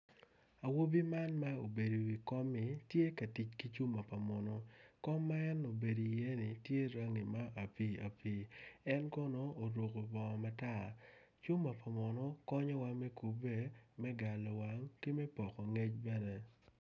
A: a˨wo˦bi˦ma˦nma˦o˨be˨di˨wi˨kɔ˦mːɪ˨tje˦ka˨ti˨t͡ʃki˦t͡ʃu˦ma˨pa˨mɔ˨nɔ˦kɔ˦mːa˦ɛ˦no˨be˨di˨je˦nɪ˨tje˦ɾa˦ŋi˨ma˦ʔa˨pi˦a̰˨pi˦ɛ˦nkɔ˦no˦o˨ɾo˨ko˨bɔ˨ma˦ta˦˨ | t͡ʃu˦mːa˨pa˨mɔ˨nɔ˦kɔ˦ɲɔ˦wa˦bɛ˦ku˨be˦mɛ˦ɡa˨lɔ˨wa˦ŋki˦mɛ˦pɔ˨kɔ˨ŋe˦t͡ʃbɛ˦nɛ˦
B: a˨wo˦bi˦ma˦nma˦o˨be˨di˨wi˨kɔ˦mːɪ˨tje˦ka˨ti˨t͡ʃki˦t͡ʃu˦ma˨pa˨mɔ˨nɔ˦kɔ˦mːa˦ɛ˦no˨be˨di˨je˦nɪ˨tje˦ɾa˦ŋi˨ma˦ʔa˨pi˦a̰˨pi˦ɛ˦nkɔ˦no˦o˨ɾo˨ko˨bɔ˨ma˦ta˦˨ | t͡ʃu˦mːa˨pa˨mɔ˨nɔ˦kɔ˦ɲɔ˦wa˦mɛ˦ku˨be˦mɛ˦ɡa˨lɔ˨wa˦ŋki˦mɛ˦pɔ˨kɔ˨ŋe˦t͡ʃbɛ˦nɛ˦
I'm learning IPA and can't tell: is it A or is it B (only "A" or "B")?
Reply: B